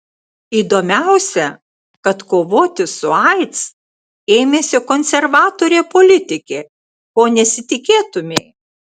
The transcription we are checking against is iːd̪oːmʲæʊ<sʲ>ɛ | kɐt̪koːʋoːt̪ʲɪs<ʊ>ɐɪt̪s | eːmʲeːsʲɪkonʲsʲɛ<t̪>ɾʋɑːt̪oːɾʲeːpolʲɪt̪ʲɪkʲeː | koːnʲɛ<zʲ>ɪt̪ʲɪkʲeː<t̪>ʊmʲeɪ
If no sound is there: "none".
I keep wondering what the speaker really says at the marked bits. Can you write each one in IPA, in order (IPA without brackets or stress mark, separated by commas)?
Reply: sʲ, ʊ, none, sʲ, t̪